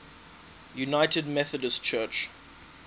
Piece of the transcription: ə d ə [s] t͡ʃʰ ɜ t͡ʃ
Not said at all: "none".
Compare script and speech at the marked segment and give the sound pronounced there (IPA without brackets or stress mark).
s